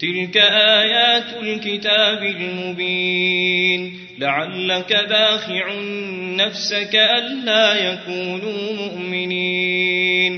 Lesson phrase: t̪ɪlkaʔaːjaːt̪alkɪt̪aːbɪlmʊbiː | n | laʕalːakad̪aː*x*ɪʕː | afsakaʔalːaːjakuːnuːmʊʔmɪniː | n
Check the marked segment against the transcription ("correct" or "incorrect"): correct